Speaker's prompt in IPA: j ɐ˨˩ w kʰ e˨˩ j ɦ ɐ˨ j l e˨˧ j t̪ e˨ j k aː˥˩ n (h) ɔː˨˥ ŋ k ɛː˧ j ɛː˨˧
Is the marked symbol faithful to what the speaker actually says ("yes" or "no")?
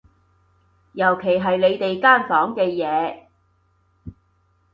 no